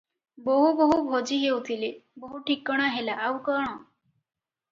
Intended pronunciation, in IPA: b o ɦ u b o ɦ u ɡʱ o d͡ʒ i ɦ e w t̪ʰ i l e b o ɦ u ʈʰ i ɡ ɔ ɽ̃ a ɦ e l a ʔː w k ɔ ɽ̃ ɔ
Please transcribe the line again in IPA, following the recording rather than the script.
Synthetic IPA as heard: b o ɦ u b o ɦ u bʱ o d͡ʒ i ɦ e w t̪ʰ i l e b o ɦ u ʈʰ i k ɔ ɽ̃ a ɦ e l a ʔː w k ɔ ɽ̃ ɔ